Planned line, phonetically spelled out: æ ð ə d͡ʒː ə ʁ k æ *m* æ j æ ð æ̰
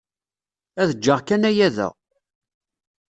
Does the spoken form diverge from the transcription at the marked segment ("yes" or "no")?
yes